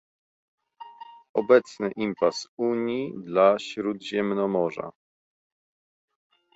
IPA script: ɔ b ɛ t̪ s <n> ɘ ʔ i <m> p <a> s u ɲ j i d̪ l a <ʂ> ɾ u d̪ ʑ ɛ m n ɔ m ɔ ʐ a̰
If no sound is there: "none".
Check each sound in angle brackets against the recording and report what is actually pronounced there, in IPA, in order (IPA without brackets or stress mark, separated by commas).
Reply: n, m, a, ɕ